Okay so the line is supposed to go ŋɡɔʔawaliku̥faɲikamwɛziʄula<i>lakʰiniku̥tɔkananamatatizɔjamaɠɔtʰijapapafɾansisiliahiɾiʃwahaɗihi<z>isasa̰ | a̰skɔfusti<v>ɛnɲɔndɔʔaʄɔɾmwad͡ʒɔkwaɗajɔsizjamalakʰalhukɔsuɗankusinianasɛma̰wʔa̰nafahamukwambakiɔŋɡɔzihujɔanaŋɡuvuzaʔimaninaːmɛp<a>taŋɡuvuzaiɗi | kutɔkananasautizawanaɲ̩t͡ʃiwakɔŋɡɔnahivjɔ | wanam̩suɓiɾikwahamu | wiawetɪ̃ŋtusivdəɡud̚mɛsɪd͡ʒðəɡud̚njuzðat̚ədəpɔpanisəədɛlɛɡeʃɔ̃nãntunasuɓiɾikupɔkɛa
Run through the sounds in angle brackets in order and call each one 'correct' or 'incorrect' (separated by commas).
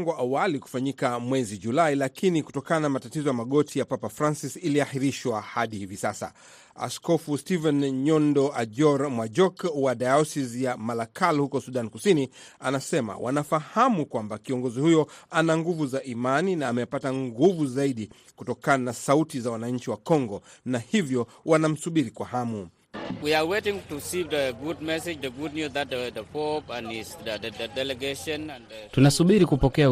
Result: correct, incorrect, correct, correct